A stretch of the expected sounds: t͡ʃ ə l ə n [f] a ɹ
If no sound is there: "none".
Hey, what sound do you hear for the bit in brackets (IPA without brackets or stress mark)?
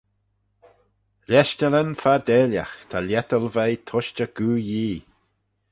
f